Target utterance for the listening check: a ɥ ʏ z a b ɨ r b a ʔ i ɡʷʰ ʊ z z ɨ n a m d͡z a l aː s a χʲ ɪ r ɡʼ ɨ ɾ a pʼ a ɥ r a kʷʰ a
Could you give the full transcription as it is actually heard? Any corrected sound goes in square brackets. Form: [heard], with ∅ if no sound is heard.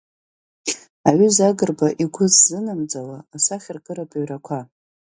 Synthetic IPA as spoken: a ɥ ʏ z a [ɡ] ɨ r b a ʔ i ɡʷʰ ʊ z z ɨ n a m d͡z a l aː s a χʲ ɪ r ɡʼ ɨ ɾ a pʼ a ɥ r a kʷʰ a